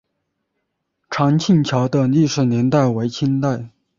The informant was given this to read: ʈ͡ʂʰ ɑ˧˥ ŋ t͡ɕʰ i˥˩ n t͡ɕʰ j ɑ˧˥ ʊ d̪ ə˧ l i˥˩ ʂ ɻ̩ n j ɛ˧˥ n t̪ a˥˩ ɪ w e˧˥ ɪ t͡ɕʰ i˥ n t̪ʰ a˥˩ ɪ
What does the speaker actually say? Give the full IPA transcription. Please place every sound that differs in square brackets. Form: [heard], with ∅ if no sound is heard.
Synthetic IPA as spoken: ʈ͡ʂʰ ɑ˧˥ ŋ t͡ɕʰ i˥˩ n t͡ɕʰ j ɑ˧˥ ʊ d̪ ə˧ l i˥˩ ʂ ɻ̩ n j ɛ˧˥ n t̪ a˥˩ ɪ w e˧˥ ɪ t͡ɕʰ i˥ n [t̪] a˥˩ ɪ